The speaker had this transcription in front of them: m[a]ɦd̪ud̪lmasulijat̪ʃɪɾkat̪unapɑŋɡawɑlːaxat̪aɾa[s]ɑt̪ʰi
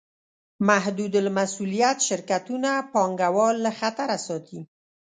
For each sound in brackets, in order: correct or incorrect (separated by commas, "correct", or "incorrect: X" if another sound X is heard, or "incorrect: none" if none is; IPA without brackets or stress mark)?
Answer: correct, correct